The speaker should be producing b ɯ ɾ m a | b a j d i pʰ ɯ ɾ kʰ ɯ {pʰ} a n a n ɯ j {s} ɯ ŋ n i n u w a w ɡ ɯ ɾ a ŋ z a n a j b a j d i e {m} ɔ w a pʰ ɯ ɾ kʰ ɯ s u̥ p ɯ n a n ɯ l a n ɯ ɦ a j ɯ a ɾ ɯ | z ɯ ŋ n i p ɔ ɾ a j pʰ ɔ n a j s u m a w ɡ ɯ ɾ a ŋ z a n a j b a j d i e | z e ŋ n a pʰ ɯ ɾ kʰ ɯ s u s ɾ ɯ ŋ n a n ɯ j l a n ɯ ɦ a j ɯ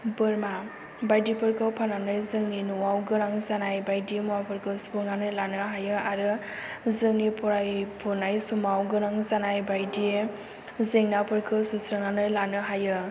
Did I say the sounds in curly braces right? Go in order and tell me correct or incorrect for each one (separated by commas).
correct, incorrect, correct